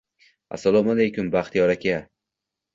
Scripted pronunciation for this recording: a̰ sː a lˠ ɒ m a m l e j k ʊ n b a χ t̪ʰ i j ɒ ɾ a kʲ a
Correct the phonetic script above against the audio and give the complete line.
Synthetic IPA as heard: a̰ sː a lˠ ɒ m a l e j k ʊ m b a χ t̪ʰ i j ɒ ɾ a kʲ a